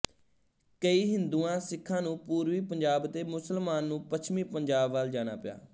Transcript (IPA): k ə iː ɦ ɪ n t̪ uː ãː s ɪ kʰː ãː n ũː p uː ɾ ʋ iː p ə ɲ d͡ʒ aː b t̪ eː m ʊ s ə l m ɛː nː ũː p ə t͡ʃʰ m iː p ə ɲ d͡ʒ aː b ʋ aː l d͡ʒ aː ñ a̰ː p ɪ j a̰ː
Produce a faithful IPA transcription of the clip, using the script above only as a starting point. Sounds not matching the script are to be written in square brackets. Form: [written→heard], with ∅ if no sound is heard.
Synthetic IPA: k ə iː ɦ ɪ n [t̪→d̪] uː ãː s ɪ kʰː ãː n ũː p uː ɾ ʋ iː p ə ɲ d͡ʒ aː b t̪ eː m ʊ s ə l m [ɛː→aː] nː ũː p ə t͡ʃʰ m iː p ə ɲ d͡ʒ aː b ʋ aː l d͡ʒ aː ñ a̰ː p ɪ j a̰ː